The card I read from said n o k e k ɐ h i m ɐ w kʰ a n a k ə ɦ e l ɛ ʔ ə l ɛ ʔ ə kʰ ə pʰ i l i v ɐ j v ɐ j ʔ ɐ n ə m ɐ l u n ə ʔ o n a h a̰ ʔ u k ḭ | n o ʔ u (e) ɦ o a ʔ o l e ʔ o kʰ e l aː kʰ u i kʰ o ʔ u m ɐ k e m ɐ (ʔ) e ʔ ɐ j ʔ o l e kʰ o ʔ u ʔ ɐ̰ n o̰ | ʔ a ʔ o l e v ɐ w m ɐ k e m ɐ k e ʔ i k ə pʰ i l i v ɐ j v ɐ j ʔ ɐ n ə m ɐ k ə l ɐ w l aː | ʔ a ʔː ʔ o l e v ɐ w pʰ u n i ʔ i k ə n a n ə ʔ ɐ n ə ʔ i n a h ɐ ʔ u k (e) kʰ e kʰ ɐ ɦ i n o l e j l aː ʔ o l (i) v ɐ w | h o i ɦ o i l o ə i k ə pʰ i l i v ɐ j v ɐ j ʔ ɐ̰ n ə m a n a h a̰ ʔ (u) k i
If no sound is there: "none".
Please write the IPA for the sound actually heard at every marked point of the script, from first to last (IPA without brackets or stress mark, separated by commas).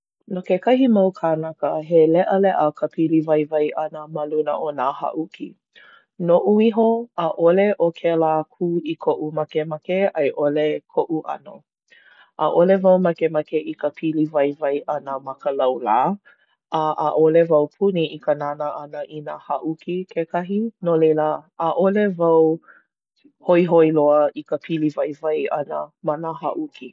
i, k, i, e, u